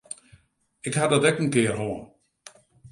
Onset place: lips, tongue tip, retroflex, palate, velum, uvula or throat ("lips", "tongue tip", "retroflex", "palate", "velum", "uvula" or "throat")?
velum